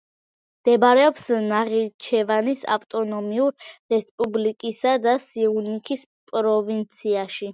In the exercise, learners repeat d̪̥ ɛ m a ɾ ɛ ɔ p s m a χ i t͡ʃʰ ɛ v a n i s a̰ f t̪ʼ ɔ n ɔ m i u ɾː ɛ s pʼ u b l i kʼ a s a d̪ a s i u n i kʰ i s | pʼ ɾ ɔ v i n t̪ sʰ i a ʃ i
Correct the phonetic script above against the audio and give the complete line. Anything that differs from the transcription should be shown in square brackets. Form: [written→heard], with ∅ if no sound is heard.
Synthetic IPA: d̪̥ ɛ [m→b] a ɾ ɛ ɔ p s [m→n] a [χ→ʁ] i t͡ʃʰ ɛ v a n i s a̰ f t̪ʼ ɔ n ɔ m i u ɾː ɛ s pʼ u b l i kʼ [a→i] s a d̪ a s i u n i kʰ i s | pʼ ɾ ɔ v i n t̪ sʰ i a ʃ i

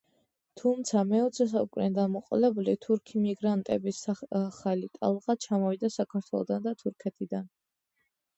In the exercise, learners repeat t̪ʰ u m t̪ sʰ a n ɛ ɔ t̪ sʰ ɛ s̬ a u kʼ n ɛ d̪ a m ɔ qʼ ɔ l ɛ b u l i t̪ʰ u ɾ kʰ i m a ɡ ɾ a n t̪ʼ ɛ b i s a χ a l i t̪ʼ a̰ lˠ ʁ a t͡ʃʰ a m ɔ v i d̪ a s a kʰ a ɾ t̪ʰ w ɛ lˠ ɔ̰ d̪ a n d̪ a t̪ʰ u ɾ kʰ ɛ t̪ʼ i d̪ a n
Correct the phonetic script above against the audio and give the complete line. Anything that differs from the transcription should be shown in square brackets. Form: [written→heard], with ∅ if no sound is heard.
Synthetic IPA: t̪ʰ u m t̪ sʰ a [n→m] ɛ ɔ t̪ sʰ ɛ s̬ a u kʼ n ɛ d̪ a m ɔ qʼ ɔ l ɛ b u l i t̪ʰ u ɾ kʰ i m [a→i] ɡ ɾ a n t̪ʼ ɛ b i s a χ a l i t̪ʼ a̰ lˠ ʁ a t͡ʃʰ a m ɔ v i d̪ a s a kʰ a ɾ t̪ʰ w ɛ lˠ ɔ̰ d̪ a n d̪ a t̪ʰ u ɾ kʰ ɛ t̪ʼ i d̪ a n

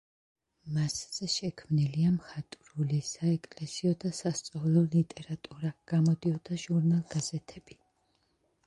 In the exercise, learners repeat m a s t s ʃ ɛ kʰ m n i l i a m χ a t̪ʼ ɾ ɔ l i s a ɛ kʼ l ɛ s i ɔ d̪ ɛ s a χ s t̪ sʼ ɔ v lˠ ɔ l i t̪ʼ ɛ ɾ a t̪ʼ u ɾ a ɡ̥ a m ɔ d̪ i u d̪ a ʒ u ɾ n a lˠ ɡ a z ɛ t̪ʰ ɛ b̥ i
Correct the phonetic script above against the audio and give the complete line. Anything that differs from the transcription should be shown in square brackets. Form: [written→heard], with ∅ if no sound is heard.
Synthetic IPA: m a s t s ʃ ɛ kʰ m n i l i a m χ a t̪ʼ ɾ [ɔ→u] l i s a ɛ kʼ l ɛ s i ɔ d̪ [ɛ→a] s a [χ→∅] s t̪ sʼ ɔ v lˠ ɔ l i t̪ʼ ɛ ɾ a t̪ʼ u ɾ a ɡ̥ a m ɔ d̪ i [u→ɔ] d̪ a ʒ u ɾ n a lˠ ɡ a z ɛ t̪ʰ ɛ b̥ i

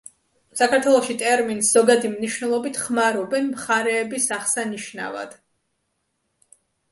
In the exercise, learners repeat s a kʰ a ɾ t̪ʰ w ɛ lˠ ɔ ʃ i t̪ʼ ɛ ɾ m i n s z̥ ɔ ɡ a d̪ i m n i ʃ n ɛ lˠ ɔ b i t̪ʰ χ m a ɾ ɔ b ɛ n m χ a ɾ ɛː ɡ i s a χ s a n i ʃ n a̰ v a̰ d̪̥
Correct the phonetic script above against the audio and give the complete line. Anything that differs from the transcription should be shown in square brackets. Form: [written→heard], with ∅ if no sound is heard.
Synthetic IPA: s a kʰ a ɾ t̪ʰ w ɛ lˠ ɔ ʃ i t̪ʼ ɛ ɾ m i n s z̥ ɔ ɡ a d̪ i m n i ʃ n ɛ lˠ ɔ b i t̪ʰ χ m a ɾ ɔ b ɛ n m χ a ɾ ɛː [ɡ→b] i s a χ s a n i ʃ n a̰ v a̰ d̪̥

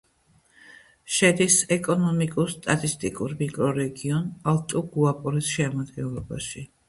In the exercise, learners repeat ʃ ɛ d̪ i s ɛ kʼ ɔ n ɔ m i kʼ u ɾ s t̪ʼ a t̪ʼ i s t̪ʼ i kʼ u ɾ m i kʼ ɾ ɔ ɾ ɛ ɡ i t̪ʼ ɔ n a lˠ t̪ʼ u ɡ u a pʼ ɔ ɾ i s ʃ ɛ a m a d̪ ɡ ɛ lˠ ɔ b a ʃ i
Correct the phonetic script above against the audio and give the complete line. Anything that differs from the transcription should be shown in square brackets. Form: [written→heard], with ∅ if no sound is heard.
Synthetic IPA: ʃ ɛ d̪ i s ɛ kʼ ɔ n ɔ m i kʼ u ɾ s t̪ʼ a t̪ʼ i s t̪ʼ i kʼ u ɾ m i kʼ ɾ ɔ ɾ ɛ ɡ i [t̪ʼ→∅] ɔ n a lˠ t̪ʼ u ɡ u a pʼ ɔ ɾ i s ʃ ɛ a m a d̪ ɡ ɛ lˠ ɔ b a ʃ i

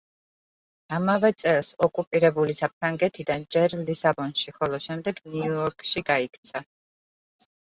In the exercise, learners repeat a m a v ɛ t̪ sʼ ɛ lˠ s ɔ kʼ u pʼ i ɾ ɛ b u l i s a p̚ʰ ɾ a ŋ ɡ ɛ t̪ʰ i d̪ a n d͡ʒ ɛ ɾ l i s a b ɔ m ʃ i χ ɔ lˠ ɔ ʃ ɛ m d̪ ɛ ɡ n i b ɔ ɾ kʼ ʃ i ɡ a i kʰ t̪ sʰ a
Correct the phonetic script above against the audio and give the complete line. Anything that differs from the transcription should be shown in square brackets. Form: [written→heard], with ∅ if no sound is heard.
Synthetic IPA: a m a v ɛ t̪ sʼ ɛ lˠ s ɔ kʼ u pʼ i ɾ ɛ b u l i s a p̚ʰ ɾ a ŋ ɡ ɛ t̪ʰ i d̪ a n d͡ʒ ɛ ɾ l i s a b ɔ [m→n] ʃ i χ ɔ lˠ ɔ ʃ ɛ m d̪ ɛ ɡ n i [b→∅] ɔ ɾ kʼ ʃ i ɡ a i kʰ t̪ sʰ a

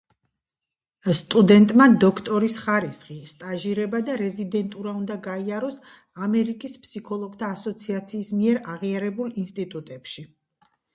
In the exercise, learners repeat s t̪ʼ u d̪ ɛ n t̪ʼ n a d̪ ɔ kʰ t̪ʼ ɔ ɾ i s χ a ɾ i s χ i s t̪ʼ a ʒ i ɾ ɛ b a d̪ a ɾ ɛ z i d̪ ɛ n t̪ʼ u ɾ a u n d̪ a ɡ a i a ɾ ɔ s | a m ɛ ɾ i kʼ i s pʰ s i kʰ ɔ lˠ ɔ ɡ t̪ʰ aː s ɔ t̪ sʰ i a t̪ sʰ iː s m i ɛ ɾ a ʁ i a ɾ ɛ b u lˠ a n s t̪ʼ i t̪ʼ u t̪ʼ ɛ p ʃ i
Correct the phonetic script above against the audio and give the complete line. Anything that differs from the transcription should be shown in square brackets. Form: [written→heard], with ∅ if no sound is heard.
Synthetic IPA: s t̪ʼ u d̪ ɛ n t̪ʼ [n→m] a d̪ ɔ kʰ t̪ʼ ɔ ɾ i s χ a ɾ i s χ i s t̪ʼ a ʒ i ɾ ɛ b a d̪ a ɾ ɛ z i d̪ ɛ n t̪ʼ u ɾ a u n d̪ a ɡ a i a ɾ ɔ s | a m ɛ ɾ i kʼ i s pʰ s i kʰ ɔ lˠ ɔ ɡ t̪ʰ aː s ɔ t̪ sʰ i a t̪ sʰ iː s m i ɛ ɾ a ʁ i a ɾ ɛ b u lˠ [a→i] n s t̪ʼ i t̪ʼ u t̪ʼ ɛ p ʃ i

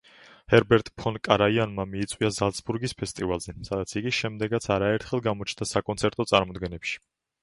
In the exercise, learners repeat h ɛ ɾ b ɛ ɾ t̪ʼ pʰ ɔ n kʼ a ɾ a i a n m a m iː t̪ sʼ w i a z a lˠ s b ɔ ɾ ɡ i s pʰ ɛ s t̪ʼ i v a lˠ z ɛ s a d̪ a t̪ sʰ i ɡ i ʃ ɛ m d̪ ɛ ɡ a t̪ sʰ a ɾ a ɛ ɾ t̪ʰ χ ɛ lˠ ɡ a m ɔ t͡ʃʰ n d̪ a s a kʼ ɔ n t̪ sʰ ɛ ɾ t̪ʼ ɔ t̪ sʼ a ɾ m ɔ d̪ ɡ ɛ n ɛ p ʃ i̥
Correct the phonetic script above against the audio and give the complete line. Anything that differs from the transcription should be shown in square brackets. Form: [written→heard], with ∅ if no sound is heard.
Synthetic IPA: h ɛ ɾ b ɛ ɾ t̪ʼ pʰ ɔ n kʼ a ɾ a i a n m a m iː t̪ sʼ w i a z a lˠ s b [ɔ→u] ɾ ɡ i s pʰ ɛ s t̪ʼ i v a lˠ z ɛ s a d̪ a t̪ sʰ i ɡ i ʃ ɛ m d̪ ɛ ɡ a t̪ sʰ a ɾ a ɛ ɾ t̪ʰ χ ɛ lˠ ɡ a m ɔ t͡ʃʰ n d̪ a s a kʼ ɔ n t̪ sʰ ɛ ɾ t̪ʼ ɔ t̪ sʼ a ɾ m ɔ d̪ ɡ ɛ n ɛ p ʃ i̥

